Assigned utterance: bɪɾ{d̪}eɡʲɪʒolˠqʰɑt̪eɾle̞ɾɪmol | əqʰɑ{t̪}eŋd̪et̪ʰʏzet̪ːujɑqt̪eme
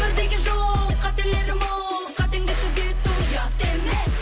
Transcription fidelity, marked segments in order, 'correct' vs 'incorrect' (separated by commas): correct, correct